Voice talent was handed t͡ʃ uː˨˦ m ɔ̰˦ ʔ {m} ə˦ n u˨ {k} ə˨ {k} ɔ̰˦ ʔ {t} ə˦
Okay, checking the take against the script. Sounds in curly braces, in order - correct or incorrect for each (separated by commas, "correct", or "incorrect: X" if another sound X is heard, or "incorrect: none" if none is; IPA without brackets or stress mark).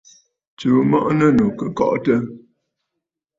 incorrect: n, correct, correct, correct